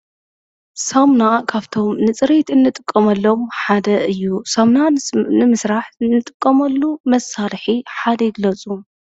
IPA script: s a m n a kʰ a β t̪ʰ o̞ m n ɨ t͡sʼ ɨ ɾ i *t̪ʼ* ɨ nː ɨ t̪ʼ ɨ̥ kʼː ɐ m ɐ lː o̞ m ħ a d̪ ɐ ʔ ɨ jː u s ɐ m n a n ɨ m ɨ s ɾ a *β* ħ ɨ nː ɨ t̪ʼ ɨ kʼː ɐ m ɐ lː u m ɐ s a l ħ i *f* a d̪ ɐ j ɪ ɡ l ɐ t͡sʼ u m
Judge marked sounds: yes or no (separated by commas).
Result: no, no, no